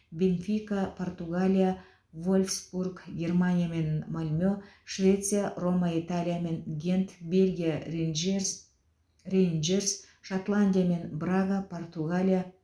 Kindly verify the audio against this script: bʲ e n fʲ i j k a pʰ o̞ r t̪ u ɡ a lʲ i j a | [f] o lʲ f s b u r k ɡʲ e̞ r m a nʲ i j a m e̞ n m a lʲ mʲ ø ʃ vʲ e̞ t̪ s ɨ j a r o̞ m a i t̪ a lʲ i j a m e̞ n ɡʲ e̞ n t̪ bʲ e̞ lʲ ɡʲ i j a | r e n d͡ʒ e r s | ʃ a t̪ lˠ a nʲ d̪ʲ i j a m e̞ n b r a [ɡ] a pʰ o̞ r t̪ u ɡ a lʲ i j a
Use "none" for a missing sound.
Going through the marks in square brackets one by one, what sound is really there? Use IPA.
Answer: v, ɡ

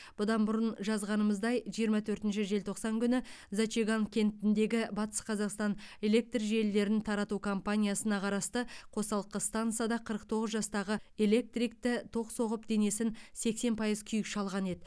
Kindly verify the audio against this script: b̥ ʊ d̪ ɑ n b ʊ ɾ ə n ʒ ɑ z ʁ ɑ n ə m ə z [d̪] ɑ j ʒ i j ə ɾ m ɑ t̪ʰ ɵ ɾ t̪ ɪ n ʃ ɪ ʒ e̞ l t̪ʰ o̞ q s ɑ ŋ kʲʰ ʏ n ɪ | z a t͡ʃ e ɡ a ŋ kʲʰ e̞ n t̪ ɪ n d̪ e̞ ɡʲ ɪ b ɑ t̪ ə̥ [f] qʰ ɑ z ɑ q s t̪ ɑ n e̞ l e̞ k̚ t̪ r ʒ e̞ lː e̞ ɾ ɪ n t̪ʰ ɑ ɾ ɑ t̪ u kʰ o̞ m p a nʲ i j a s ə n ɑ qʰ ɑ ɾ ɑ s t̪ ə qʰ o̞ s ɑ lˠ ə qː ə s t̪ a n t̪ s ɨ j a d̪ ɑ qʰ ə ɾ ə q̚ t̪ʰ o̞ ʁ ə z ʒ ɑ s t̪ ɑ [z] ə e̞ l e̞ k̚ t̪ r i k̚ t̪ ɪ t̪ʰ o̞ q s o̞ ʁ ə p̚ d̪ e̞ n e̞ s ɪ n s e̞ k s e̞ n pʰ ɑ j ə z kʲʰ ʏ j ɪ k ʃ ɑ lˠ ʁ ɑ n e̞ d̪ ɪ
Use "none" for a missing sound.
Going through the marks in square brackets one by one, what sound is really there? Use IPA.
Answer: d̪, s, ʁ

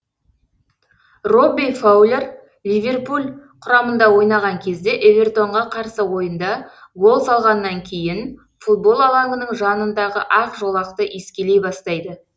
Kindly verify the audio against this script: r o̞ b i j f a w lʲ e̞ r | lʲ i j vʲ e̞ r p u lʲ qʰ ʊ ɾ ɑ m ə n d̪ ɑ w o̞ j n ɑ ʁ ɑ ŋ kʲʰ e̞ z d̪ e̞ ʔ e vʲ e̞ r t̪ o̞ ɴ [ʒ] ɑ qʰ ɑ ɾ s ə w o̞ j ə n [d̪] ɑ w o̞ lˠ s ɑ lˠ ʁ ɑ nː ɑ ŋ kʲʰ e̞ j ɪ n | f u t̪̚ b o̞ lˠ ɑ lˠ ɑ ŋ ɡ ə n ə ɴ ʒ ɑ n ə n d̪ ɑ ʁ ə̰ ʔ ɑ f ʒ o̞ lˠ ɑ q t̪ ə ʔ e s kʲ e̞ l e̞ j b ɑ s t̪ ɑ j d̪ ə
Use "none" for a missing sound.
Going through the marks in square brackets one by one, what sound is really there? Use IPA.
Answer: ʁ, d̪

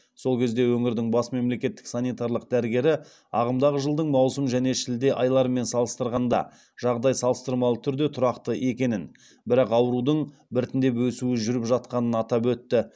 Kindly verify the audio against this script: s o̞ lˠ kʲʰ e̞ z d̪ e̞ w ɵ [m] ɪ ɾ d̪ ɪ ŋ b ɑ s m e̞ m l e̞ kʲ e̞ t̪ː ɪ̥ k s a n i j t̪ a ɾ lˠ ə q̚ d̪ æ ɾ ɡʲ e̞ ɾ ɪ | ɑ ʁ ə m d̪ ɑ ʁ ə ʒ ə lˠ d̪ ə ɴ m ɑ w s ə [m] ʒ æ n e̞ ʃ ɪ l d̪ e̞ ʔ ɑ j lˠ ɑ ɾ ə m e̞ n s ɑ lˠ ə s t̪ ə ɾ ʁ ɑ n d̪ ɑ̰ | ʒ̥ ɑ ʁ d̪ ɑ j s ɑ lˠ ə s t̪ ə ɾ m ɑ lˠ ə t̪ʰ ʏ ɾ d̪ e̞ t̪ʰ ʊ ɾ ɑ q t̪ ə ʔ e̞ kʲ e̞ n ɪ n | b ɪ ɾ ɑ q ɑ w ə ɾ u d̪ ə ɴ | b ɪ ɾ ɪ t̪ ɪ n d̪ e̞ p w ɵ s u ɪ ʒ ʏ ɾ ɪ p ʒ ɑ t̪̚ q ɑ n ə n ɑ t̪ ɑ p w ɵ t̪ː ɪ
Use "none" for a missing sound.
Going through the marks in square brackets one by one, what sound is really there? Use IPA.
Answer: ŋ, m

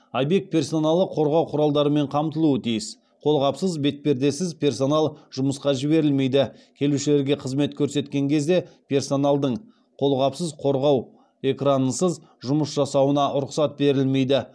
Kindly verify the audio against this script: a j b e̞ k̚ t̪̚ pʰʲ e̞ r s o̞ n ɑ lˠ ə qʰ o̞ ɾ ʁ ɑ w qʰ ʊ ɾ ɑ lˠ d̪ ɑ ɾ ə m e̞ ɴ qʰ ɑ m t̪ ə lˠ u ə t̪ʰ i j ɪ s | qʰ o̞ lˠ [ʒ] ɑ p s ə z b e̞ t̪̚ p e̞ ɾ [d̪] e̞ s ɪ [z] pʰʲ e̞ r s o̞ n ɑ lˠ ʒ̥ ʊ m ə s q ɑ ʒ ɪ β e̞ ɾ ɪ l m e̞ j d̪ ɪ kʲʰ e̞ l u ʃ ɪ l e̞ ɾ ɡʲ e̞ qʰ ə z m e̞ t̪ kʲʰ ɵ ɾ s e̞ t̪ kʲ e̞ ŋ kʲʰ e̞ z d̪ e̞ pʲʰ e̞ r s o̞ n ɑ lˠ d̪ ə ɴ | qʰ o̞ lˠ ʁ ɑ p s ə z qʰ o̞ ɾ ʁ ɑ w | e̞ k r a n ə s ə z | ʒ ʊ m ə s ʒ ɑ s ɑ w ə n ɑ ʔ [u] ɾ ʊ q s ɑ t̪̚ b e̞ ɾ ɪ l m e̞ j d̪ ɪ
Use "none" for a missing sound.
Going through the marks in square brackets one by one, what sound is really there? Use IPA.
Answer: ʁ, d̪, z, ʊ

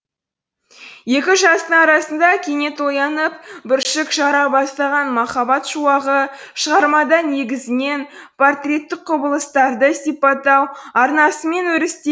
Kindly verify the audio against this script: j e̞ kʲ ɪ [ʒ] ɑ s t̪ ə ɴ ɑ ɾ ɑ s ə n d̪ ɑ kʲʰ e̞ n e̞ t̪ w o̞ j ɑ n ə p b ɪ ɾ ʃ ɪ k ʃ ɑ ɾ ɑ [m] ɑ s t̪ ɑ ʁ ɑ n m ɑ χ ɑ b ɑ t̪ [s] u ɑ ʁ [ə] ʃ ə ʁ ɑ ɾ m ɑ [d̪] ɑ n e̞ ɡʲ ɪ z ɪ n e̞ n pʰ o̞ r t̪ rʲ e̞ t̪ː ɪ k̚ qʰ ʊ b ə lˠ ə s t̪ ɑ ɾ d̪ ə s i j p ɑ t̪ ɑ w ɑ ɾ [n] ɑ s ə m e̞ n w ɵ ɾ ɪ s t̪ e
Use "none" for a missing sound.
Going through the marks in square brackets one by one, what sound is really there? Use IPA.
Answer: ʒ, b, ʃ, ə, d̪, n

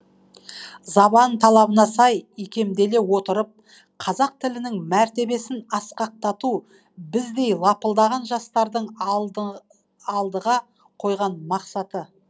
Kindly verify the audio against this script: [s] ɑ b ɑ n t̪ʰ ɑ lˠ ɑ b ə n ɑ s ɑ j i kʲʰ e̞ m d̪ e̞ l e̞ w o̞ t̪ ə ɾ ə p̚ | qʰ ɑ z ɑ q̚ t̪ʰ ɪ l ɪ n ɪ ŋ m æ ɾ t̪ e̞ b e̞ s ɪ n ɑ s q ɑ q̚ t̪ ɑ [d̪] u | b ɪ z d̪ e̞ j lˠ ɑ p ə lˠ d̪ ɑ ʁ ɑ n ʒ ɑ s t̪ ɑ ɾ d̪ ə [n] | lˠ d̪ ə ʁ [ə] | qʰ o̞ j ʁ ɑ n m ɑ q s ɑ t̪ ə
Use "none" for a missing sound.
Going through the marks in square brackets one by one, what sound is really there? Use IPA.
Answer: z, t̪, ɴ, ɑ

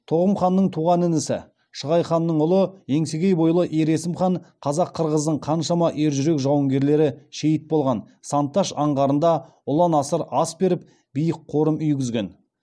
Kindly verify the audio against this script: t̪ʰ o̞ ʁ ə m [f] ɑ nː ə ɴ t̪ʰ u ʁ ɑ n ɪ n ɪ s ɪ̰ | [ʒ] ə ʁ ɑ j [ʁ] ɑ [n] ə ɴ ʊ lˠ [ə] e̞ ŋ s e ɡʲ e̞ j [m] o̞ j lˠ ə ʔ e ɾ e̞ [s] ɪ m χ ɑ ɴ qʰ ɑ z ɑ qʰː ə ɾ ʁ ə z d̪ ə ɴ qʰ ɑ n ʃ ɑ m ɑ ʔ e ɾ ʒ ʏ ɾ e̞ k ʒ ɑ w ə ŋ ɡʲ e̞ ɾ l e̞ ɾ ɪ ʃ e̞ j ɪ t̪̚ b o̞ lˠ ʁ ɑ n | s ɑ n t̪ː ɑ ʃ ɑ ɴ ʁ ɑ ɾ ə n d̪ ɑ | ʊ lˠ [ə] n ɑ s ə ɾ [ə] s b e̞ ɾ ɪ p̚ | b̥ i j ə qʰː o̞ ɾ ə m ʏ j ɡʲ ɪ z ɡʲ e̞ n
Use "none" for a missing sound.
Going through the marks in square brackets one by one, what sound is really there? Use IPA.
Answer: χ, ʃ, χ, nː, ə, b, s, ɑ, ɑ

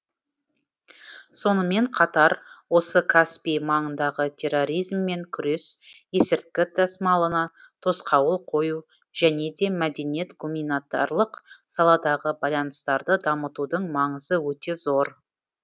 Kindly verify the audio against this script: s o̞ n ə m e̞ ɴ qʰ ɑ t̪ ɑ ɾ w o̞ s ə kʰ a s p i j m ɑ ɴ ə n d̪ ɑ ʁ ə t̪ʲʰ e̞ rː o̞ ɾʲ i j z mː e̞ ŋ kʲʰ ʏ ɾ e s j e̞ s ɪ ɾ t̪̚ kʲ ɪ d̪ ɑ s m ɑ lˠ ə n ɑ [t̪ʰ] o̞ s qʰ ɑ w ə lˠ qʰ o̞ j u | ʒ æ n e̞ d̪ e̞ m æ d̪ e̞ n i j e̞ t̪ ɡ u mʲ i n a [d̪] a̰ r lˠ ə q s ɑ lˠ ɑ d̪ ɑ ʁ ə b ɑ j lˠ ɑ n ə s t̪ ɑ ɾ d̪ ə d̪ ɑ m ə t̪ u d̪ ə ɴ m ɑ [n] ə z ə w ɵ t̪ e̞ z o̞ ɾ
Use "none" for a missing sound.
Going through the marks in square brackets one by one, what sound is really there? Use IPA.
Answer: t̪ʰ, t̪, ɴ

